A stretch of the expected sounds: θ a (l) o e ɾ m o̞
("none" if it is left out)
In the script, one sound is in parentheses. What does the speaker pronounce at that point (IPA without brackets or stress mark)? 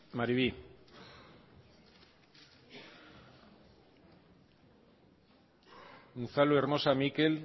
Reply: l